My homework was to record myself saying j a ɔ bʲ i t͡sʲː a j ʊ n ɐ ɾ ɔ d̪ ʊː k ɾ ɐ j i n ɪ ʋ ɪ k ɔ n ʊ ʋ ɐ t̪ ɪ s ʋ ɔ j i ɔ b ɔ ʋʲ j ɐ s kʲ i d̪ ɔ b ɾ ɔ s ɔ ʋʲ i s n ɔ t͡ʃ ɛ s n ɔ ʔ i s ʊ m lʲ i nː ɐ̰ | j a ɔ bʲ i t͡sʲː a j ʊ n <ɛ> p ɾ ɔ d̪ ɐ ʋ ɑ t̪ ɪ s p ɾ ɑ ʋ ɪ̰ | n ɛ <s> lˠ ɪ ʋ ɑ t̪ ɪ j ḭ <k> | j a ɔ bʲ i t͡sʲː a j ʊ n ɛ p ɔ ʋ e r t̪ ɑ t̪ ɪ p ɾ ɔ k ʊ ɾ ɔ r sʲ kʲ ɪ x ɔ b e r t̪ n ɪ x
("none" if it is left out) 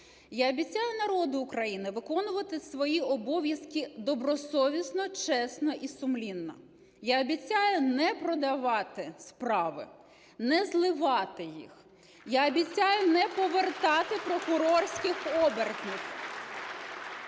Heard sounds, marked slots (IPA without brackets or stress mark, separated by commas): ɛ, z, x